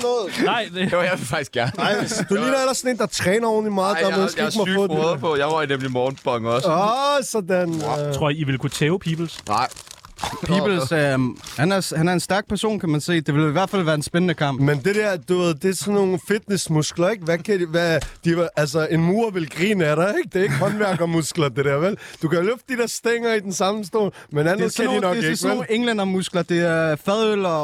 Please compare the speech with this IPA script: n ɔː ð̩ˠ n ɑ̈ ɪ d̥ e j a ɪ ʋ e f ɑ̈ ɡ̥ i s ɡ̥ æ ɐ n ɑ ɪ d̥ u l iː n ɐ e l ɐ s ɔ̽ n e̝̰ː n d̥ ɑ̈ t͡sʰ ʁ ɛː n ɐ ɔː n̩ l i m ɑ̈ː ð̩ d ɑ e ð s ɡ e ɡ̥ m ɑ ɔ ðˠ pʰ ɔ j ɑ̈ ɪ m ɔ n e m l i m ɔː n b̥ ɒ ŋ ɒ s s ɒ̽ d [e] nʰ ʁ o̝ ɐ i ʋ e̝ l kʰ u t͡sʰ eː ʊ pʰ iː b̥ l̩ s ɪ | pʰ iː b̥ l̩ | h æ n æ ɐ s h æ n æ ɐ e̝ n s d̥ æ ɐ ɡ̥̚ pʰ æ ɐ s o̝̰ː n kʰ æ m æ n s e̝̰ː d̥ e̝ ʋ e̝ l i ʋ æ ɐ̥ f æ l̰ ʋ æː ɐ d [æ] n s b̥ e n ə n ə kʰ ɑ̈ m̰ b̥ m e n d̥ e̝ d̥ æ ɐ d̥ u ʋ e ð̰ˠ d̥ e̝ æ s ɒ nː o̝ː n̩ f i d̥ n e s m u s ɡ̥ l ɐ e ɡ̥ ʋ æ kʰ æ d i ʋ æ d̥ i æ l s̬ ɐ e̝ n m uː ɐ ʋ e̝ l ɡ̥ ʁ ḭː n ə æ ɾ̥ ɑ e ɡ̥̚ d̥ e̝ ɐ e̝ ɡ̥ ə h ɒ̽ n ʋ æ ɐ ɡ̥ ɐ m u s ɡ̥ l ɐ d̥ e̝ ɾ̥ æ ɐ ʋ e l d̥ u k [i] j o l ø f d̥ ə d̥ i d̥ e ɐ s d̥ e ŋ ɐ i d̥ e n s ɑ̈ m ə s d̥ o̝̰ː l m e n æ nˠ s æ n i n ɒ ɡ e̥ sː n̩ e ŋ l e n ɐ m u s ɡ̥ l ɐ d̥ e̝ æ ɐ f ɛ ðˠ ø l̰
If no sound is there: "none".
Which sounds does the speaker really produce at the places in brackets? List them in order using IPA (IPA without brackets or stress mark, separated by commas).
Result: æ, e, æ